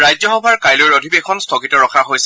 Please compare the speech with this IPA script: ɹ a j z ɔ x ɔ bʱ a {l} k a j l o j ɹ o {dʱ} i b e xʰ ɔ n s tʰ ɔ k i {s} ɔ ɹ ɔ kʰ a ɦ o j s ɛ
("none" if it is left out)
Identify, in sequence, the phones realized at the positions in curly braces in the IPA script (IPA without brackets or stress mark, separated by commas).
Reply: ɹ, dʱ, t